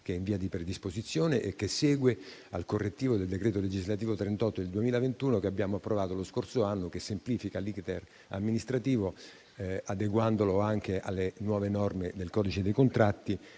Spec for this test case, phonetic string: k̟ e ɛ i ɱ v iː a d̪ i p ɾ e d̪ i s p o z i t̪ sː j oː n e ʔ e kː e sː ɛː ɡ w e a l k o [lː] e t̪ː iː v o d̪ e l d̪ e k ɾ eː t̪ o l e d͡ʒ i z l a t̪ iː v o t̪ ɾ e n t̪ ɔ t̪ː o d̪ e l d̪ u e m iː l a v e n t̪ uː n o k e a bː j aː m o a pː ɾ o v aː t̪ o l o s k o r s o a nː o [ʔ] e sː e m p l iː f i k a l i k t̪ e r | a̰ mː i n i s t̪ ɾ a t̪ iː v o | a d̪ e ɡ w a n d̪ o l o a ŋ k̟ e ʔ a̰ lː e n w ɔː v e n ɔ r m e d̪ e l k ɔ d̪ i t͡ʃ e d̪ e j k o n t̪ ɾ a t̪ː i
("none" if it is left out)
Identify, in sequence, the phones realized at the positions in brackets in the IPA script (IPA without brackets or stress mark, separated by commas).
rː, k